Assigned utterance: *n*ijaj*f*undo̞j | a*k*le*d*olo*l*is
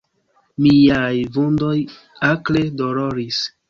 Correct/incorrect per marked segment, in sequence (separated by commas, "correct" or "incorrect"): incorrect, incorrect, correct, correct, incorrect